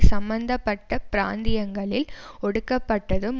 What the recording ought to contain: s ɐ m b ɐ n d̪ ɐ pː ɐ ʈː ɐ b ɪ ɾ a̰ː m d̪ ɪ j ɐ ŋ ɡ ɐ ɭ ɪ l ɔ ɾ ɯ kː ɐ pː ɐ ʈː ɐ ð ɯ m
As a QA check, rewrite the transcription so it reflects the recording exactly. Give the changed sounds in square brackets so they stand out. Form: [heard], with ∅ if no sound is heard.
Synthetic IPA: s ɐ m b ɐ n d̪ ɐ pː ɐ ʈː ɐ [p] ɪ ɾ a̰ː [n] d̪ ɪ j ɐ ŋ ɡ ɐ ɭ ɪ l ɔ [ɽ] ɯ kː ɐ pː ɐ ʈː ɐ ð ɯ m